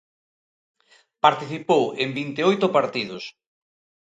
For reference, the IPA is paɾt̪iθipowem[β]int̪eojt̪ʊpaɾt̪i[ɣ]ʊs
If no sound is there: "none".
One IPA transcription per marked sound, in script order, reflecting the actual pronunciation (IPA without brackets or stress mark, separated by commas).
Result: b, ð